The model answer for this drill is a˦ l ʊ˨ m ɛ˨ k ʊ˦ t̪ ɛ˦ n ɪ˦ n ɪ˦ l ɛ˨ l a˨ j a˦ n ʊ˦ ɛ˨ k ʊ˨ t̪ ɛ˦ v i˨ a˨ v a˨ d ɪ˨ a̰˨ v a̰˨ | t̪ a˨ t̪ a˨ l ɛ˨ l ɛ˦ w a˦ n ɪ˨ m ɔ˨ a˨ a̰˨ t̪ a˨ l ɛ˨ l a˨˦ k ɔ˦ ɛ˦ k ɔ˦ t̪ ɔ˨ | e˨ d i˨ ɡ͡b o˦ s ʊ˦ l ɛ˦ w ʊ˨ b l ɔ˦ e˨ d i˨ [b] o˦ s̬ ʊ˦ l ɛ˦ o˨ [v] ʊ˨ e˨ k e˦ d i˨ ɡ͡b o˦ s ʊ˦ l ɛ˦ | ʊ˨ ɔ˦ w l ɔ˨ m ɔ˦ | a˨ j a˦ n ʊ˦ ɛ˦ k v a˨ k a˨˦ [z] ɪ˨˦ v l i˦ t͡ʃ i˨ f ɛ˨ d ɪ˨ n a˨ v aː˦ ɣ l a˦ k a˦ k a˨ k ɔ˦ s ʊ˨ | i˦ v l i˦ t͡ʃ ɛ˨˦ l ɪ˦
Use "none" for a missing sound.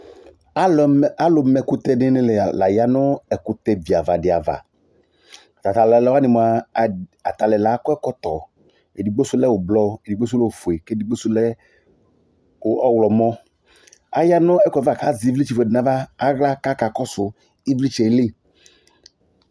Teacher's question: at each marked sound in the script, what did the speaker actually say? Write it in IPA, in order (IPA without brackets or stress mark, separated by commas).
ɡ͡b, f, z